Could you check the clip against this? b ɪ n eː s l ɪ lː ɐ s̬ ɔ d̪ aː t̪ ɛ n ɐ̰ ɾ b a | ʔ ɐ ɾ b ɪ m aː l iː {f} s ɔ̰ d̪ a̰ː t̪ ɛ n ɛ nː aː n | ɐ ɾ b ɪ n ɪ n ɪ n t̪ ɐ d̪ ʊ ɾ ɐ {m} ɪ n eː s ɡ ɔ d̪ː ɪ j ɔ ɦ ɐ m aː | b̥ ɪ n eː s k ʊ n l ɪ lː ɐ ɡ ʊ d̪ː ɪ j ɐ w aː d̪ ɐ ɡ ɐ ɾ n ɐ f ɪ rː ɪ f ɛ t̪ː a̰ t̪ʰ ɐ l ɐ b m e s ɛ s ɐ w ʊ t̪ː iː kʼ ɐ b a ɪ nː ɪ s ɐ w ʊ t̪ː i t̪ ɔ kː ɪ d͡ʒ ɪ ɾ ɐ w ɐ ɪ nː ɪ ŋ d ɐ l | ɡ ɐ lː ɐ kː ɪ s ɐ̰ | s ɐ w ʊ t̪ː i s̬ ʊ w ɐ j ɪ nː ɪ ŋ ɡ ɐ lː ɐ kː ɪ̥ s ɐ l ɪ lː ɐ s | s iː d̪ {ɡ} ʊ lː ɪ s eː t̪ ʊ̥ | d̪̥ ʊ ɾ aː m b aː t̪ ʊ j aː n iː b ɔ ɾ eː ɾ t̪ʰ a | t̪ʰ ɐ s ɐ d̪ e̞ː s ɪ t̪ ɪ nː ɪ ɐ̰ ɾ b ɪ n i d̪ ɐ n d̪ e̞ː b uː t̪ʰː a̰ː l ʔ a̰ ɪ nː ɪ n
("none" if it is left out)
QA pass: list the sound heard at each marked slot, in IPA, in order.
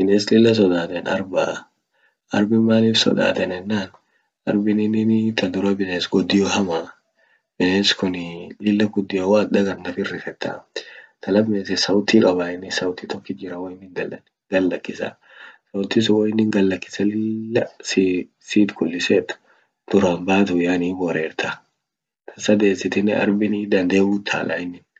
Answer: f, b, k

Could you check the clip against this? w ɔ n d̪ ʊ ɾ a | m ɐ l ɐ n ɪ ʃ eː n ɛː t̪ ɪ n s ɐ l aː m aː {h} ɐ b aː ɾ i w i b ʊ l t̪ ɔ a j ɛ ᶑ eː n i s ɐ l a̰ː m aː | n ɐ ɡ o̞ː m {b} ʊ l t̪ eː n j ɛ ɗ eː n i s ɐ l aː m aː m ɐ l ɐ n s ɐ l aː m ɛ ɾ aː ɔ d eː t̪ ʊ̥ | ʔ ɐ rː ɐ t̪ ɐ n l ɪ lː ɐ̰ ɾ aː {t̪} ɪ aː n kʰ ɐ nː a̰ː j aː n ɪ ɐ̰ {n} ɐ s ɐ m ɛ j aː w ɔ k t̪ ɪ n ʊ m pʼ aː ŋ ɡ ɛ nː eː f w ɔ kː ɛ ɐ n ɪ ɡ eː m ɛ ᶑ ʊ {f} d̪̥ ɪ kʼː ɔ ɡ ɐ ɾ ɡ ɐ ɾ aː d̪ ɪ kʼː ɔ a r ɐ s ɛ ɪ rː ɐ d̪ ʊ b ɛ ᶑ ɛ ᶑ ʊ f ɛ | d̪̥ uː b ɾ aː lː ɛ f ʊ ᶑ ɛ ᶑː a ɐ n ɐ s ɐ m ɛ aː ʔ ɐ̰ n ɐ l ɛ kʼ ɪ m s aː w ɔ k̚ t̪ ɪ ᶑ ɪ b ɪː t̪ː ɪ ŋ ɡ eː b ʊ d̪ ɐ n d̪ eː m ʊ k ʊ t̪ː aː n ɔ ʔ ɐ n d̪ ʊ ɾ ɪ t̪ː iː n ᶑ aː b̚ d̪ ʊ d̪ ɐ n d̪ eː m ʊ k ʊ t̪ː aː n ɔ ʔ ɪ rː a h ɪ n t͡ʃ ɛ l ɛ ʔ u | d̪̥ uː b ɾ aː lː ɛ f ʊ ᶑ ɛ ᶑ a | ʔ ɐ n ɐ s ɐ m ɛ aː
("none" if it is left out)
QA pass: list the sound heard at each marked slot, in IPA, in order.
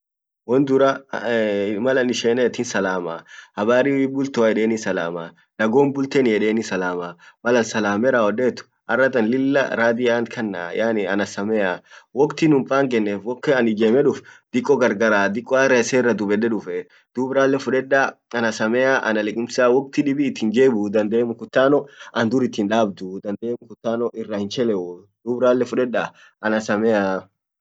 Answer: h, b, d̪, n, f

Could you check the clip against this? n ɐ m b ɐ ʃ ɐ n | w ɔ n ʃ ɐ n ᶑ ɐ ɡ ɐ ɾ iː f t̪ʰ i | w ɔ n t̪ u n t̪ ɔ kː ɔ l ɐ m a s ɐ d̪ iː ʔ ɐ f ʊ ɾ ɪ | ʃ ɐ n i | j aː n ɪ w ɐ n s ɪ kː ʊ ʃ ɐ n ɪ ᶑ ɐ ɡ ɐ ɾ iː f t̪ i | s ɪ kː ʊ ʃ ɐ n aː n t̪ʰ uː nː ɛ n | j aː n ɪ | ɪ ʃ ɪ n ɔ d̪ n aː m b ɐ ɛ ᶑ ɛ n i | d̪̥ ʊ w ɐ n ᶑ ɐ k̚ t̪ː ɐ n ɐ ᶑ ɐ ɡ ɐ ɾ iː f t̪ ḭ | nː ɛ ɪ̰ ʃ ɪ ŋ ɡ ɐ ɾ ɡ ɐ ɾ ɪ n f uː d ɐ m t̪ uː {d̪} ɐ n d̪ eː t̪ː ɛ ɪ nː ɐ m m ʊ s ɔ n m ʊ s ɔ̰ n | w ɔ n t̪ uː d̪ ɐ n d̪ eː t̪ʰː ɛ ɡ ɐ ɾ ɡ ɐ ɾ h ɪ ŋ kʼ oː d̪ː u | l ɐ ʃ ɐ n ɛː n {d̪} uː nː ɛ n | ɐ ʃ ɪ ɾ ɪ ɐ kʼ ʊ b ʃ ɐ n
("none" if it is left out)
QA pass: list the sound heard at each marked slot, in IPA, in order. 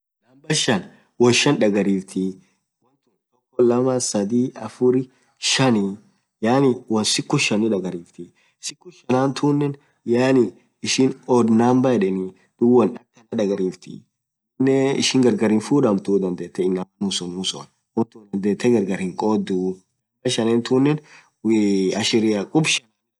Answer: d̪, t̪

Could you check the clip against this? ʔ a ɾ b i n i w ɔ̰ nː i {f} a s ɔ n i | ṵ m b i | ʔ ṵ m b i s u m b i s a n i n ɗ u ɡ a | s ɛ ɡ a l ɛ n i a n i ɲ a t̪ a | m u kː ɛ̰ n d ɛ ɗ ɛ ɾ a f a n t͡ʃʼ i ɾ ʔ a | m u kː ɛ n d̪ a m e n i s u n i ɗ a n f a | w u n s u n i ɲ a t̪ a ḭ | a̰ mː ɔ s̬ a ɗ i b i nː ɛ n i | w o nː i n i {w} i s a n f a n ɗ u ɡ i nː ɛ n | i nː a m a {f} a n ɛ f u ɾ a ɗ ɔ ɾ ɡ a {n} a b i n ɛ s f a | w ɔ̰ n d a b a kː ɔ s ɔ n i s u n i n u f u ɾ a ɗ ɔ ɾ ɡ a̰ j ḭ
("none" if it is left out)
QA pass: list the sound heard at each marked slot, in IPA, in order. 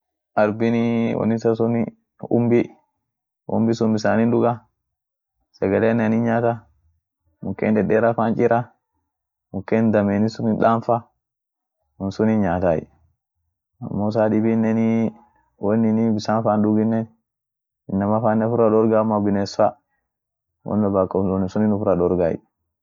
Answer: s, b, f, m

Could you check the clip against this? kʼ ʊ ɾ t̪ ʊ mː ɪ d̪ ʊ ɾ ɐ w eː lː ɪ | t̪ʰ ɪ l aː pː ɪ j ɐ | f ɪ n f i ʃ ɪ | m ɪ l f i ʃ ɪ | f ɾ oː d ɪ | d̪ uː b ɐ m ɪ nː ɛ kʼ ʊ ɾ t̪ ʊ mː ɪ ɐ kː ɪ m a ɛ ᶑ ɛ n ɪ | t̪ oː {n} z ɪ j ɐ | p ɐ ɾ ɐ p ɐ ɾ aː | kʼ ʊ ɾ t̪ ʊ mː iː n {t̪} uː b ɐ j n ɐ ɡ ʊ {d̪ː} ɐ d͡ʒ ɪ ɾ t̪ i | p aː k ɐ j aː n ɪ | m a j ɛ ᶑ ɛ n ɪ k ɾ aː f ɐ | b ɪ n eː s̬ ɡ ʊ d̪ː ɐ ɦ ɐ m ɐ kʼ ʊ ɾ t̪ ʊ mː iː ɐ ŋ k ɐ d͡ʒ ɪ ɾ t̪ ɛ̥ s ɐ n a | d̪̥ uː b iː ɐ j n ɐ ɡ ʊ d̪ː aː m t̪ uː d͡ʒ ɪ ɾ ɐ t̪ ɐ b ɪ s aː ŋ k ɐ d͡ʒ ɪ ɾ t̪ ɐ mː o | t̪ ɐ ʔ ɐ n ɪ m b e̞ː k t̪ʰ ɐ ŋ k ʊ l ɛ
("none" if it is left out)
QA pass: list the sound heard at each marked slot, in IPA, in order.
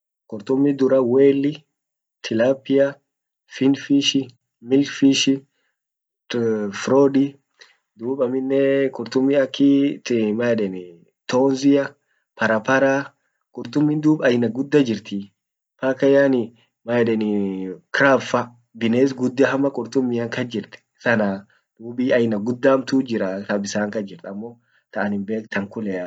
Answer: n, d̪, d̪ː

